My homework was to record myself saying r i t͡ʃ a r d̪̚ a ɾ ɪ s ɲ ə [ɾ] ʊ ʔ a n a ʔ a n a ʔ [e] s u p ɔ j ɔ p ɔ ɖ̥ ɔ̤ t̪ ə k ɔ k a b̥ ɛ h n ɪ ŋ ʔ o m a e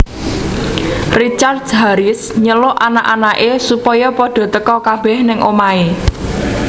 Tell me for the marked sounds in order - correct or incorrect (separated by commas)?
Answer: incorrect, correct